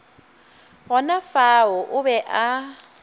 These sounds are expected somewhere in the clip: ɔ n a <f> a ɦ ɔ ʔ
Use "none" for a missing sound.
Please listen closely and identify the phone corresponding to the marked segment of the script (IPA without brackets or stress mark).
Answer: f